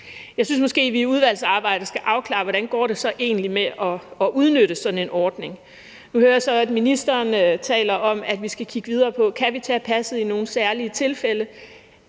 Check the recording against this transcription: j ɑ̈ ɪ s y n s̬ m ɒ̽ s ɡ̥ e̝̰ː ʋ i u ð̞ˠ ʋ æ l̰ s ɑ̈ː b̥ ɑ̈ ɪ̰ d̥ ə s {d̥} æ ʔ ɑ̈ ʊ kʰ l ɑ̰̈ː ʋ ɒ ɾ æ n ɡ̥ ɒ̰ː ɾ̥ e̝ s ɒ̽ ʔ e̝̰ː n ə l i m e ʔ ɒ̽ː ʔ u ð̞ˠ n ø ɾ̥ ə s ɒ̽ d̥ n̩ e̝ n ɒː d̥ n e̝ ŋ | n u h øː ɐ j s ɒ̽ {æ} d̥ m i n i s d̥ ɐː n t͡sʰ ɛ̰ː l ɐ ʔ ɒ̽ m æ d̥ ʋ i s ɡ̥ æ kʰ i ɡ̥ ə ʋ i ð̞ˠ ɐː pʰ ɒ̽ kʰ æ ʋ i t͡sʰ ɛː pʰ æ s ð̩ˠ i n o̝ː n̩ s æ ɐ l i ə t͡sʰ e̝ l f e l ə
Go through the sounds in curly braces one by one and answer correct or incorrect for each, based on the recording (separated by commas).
incorrect, correct